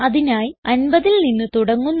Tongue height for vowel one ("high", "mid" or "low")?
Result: low